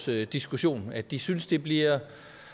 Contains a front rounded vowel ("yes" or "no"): yes